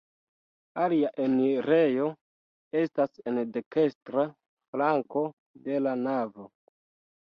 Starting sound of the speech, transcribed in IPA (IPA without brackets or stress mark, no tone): a